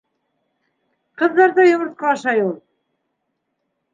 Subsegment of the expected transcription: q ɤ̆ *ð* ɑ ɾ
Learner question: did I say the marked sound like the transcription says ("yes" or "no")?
no